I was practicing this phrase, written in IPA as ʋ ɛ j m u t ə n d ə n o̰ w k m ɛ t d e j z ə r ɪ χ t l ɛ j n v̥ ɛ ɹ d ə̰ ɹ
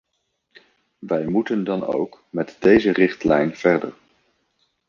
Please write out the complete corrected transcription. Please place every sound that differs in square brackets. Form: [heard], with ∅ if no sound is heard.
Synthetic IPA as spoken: ʋ ɛ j m u t ə n d [ɑ] n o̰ w k m ɛ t d e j z ə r ɪ χ t l ɛ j n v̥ ɛ ɹ d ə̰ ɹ